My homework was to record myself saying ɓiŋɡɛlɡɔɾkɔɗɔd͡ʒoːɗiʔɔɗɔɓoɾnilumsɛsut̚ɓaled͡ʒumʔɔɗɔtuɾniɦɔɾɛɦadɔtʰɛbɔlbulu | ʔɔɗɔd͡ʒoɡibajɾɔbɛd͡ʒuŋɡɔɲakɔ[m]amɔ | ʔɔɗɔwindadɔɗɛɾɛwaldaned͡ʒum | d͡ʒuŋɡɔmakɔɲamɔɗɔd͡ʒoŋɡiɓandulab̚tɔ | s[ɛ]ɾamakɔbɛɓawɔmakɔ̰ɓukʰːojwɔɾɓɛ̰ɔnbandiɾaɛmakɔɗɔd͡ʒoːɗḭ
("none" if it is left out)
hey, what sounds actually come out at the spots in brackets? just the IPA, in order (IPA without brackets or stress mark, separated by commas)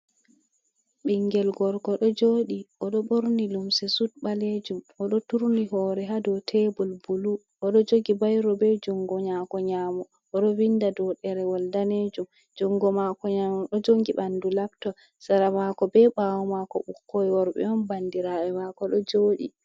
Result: ɲ, a